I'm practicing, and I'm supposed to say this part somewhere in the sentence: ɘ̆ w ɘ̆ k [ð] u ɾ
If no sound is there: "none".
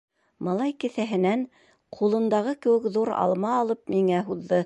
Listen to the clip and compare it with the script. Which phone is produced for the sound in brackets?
ð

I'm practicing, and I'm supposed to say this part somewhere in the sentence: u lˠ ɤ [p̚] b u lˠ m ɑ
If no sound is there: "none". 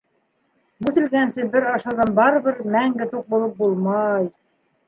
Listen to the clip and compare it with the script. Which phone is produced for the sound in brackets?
p̚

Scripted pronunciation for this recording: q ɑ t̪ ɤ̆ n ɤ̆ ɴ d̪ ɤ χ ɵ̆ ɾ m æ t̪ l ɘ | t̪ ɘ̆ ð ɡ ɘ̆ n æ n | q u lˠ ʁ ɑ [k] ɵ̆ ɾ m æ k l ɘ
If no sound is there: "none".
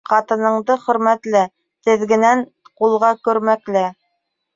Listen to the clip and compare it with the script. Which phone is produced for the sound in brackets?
k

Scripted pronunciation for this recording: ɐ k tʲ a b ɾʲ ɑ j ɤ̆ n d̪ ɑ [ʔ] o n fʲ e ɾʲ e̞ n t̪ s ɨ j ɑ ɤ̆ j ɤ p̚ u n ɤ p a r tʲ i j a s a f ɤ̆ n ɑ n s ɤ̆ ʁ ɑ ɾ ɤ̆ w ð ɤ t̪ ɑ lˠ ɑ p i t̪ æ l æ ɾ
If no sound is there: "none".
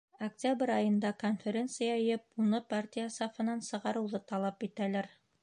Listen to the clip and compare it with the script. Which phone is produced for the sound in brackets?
k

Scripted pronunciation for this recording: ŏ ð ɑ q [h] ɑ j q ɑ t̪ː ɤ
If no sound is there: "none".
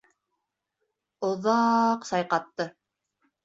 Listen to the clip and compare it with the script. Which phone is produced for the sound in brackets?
s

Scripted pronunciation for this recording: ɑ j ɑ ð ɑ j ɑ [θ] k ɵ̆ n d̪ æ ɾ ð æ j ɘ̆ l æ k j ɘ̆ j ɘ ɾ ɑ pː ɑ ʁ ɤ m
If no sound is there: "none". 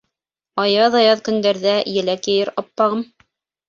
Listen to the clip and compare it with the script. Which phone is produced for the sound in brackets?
ð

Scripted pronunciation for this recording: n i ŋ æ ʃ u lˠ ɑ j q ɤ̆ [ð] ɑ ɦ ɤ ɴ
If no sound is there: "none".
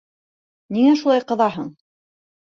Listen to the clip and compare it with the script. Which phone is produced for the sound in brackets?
ð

